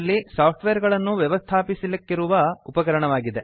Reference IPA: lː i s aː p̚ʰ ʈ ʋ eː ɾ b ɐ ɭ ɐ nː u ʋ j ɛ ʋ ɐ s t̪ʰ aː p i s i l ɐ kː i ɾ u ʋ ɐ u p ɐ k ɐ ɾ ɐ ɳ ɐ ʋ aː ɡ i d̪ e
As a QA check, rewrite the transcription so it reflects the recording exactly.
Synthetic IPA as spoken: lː i s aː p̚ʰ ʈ ʋ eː ɾ ɡ ɐ ɭ ɐ nː u ʋ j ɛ ʋ ɐ s t̪ʰ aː p i s i l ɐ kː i ɾ u ʋ ɐ u p ɐ k ɐ ɾ ɐ ɳ ɐ ʋ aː ɡ i d̪ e